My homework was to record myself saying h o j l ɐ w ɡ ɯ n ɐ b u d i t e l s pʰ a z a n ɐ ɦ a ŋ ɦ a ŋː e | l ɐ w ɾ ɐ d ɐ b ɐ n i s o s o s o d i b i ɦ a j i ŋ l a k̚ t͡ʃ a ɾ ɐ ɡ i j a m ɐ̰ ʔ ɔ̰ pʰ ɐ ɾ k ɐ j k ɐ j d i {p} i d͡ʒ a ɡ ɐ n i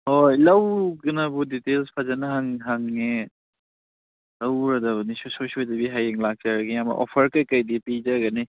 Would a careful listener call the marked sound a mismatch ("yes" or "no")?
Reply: no